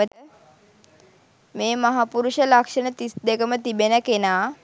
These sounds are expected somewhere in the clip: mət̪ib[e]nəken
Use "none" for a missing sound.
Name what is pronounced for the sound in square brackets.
e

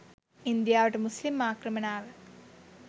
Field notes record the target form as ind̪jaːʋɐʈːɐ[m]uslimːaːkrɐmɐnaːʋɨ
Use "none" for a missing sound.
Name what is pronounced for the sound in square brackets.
m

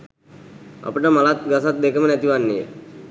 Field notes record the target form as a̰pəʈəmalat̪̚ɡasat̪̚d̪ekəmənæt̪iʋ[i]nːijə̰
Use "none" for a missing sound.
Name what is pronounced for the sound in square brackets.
a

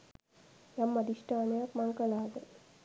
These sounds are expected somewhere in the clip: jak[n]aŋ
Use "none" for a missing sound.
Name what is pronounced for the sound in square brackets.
m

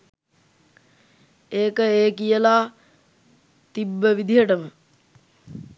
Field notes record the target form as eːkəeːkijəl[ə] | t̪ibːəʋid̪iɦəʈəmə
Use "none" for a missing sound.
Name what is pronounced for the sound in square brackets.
a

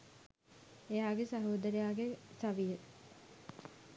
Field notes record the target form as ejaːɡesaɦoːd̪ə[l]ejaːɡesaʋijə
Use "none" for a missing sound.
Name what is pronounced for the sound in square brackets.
ɾ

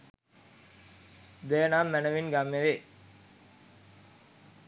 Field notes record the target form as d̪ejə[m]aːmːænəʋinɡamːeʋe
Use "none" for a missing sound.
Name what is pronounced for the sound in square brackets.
n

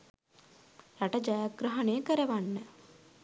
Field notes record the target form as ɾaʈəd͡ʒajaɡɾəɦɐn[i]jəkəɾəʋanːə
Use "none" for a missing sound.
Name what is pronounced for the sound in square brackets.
e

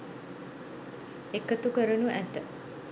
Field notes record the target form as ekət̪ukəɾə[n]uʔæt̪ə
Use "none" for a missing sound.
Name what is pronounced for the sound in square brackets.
n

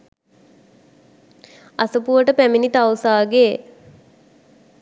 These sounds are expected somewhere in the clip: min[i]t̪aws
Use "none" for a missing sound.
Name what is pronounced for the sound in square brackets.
i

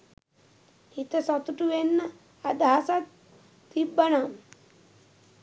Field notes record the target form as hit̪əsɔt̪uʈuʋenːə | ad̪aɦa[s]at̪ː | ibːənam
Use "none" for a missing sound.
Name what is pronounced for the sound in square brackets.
s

